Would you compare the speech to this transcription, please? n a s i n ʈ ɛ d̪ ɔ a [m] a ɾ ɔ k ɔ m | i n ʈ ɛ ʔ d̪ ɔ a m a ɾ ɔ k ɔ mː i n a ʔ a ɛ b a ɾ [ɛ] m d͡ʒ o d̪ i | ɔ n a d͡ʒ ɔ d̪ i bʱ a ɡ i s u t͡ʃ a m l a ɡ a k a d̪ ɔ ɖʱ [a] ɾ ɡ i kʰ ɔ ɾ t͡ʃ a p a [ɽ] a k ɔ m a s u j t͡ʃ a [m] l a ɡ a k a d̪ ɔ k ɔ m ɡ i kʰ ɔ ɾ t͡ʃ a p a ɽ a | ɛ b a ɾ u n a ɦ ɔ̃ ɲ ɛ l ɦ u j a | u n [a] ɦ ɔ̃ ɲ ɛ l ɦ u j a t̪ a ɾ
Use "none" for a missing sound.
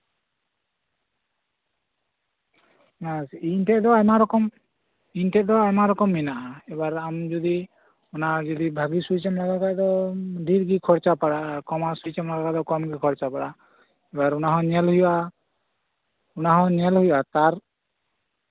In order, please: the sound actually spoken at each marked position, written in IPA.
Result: m, a, i, ɽ, m, a

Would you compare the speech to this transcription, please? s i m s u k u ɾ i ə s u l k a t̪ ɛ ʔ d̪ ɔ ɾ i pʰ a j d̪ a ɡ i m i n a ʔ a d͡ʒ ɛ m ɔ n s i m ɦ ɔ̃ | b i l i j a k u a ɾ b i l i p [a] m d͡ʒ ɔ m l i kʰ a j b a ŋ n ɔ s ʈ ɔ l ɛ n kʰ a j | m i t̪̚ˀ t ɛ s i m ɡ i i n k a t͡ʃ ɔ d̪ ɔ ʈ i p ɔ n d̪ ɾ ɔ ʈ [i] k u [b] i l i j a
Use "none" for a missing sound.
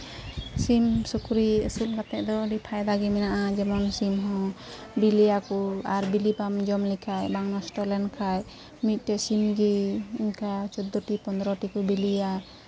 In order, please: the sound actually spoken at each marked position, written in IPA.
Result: a, i, b

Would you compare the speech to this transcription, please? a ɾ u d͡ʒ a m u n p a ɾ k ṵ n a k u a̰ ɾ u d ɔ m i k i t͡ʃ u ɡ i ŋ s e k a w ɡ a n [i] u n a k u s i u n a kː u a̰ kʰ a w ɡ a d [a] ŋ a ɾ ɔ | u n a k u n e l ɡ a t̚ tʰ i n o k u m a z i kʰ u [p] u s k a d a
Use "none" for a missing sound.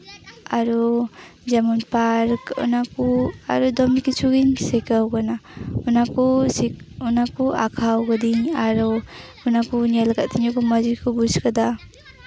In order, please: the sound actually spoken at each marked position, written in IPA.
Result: a, i, b

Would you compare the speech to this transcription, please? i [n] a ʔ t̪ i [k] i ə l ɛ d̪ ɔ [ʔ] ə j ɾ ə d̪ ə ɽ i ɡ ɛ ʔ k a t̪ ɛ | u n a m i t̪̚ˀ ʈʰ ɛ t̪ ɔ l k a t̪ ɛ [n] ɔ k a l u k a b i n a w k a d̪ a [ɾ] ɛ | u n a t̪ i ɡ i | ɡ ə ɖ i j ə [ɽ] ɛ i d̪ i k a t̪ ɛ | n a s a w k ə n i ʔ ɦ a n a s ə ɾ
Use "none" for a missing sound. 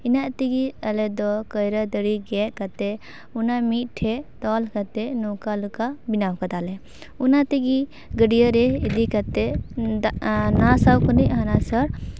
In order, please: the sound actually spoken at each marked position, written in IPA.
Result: n, ɡ, k, n, l, ɾ

